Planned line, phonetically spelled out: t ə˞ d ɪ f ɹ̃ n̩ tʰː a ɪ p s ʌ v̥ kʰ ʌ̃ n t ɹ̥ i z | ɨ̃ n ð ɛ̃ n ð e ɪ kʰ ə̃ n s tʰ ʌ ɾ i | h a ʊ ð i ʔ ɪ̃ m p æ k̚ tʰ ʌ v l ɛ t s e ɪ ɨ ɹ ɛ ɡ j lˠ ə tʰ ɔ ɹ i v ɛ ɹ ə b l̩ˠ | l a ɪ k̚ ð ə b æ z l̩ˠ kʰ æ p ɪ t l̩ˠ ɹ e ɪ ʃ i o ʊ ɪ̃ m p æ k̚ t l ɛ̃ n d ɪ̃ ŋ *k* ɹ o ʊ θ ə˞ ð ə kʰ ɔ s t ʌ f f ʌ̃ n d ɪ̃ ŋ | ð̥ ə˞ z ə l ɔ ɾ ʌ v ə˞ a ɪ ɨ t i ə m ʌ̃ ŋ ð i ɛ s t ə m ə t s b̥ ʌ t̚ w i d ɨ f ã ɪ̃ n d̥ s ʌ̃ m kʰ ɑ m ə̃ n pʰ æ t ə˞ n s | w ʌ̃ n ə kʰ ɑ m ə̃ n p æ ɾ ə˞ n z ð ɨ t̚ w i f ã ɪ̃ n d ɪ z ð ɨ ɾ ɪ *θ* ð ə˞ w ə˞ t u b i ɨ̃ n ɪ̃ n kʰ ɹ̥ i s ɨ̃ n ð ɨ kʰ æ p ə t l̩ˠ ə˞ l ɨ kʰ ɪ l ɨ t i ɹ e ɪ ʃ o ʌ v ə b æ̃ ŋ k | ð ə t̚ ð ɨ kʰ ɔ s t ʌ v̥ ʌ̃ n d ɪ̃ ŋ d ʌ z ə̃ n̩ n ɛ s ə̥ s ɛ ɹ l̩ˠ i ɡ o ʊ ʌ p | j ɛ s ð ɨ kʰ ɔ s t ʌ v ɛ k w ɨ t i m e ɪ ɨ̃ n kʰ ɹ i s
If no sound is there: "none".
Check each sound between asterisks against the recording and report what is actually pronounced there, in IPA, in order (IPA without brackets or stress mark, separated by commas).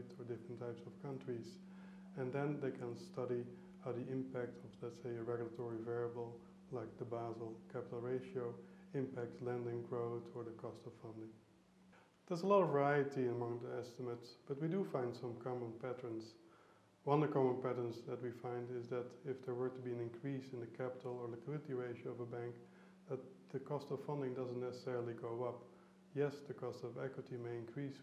ɡ, f